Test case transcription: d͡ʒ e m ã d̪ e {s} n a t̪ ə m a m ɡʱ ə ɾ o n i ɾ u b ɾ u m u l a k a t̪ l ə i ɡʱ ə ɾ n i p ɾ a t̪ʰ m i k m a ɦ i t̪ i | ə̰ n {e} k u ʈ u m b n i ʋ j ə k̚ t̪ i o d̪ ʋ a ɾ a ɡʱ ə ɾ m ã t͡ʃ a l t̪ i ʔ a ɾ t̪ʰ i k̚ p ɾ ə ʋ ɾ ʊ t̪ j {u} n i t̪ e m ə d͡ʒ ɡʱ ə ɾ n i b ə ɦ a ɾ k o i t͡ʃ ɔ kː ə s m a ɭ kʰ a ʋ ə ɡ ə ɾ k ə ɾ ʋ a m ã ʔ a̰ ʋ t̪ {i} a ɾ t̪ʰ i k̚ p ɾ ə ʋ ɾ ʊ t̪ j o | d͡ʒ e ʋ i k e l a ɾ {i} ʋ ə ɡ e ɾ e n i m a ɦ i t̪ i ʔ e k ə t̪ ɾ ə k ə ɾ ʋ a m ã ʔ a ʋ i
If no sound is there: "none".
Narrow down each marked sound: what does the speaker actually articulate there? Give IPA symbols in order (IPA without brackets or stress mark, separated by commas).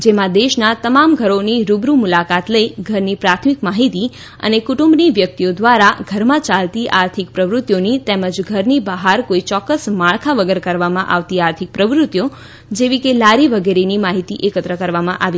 ʃ, e, o, i, i